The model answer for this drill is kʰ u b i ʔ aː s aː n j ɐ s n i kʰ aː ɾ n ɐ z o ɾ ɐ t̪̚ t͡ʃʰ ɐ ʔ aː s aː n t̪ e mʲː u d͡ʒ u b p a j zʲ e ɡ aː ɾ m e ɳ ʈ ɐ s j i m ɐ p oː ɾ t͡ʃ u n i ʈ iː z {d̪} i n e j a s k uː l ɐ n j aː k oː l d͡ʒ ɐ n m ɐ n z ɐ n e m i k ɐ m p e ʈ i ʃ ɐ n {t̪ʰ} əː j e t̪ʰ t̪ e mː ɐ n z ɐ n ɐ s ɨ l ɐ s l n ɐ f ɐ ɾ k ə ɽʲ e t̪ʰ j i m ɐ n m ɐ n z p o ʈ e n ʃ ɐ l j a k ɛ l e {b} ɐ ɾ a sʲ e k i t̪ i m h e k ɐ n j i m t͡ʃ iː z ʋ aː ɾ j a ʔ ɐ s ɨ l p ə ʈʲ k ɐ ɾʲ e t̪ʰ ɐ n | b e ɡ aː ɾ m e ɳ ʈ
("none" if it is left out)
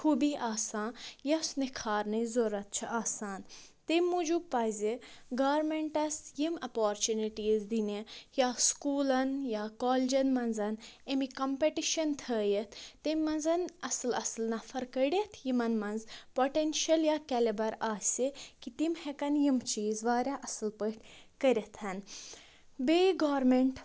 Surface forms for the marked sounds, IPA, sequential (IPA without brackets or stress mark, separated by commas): d̪, t̪ʰ, b